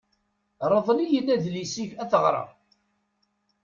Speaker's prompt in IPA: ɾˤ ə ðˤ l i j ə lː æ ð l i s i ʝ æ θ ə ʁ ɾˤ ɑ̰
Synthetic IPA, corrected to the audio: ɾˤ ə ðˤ l i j ə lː æ ð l i s i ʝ æ θ ə ʁ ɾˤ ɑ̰